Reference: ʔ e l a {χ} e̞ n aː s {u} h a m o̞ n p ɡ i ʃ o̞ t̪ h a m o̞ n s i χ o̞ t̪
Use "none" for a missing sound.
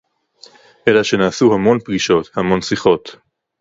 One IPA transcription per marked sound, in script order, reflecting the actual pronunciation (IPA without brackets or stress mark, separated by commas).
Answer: ʃ, u